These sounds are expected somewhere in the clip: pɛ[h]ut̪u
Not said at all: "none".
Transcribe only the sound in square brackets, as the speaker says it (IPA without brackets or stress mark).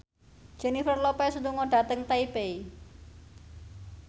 s